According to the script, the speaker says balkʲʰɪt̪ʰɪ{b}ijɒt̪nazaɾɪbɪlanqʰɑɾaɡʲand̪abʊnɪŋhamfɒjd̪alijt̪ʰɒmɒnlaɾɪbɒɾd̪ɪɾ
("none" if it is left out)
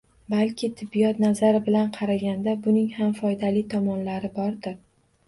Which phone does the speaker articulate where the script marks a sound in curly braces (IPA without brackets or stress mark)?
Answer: bː